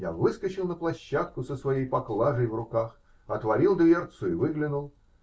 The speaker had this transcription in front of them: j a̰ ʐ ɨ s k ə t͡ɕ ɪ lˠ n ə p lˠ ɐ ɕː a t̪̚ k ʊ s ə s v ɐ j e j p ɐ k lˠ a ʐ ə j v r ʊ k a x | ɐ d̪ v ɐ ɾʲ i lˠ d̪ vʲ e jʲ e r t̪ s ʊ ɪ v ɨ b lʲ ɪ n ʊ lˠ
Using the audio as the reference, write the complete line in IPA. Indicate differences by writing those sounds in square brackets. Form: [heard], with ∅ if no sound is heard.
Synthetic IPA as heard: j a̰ [v] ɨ s k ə t͡ɕ ɪ lˠ n ə p lˠ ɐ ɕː a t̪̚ k ʊ s ə s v ɐ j e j p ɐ k lˠ a ʐ ə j v r ʊ k a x | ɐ [t̪] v ɐ ɾʲ i lˠ d̪ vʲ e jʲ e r t̪ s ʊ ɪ v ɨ [ɡ] lʲ ɪ n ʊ lˠ